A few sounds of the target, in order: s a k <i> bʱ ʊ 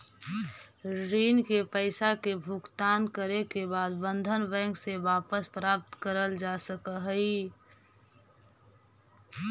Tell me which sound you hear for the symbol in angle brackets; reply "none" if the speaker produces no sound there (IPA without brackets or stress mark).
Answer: e